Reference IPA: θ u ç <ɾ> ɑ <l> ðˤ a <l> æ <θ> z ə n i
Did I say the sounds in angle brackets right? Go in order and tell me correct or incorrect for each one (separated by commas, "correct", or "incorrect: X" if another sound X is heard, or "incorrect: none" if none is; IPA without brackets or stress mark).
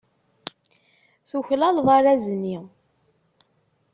incorrect: l, correct, incorrect: ɾ, incorrect: none